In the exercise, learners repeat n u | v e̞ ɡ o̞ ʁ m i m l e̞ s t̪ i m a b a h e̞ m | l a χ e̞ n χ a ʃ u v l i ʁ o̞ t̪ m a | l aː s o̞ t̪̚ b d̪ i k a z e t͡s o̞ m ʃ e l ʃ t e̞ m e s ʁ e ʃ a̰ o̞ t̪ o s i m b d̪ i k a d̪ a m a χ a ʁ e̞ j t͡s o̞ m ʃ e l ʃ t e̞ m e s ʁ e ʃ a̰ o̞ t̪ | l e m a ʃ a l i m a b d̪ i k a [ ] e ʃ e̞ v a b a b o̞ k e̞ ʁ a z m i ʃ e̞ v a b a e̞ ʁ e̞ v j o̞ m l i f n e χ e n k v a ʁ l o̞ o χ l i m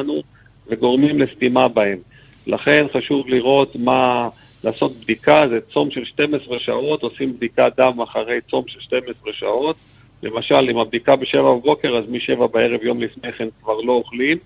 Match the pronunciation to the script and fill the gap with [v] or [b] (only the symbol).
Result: b